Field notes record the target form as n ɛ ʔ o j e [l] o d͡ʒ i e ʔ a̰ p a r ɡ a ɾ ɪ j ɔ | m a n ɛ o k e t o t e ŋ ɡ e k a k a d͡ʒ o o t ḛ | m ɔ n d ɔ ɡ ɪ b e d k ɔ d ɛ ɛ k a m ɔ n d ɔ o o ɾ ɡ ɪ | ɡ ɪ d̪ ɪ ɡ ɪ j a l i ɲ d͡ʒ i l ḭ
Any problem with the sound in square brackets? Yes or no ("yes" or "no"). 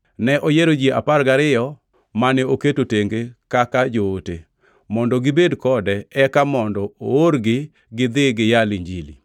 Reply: yes